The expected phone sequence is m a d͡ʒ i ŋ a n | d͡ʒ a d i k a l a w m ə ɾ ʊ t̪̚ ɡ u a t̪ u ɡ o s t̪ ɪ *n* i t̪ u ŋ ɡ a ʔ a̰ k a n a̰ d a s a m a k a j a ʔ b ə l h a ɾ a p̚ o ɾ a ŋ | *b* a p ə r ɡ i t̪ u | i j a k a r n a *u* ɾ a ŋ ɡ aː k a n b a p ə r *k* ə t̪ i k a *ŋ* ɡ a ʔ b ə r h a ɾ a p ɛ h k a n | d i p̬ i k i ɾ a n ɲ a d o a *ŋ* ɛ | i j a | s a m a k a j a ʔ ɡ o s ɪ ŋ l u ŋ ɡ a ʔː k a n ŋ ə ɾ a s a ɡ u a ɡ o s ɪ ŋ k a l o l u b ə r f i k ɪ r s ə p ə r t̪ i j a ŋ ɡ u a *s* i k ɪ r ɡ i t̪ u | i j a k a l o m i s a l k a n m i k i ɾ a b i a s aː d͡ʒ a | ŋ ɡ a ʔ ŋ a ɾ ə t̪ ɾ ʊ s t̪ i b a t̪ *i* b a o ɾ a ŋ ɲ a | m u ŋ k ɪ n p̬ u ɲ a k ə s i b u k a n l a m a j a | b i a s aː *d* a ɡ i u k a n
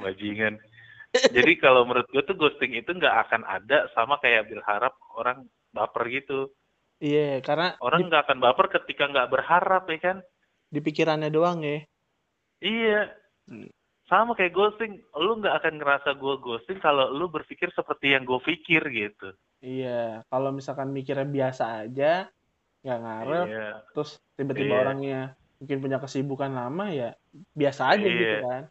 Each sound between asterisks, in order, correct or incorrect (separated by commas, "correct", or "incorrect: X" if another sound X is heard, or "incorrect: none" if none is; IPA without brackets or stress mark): incorrect: ŋ, correct, incorrect: o, correct, correct, correct, incorrect: f, correct, incorrect: d͡ʒ